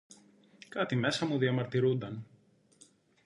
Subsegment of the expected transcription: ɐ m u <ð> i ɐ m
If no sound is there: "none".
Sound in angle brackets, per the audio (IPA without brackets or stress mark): ð